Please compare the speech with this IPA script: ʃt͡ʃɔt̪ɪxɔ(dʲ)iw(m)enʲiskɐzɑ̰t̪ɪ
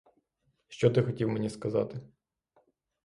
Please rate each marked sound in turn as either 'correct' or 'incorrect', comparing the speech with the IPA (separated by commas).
incorrect, correct